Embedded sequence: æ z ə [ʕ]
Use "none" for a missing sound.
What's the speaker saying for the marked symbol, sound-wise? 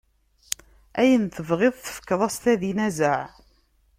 ʕ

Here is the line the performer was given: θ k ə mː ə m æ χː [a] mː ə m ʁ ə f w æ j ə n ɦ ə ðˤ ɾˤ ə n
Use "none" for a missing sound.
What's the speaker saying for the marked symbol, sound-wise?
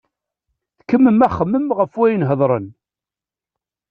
ə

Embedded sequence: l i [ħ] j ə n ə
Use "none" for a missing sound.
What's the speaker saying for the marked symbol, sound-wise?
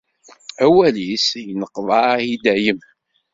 s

